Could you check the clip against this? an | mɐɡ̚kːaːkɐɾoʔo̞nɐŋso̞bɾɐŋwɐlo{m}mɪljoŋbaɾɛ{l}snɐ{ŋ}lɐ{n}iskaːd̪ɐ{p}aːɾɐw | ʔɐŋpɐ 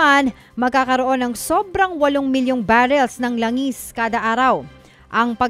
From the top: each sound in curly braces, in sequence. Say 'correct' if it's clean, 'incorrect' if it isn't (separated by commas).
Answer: incorrect, correct, correct, incorrect, incorrect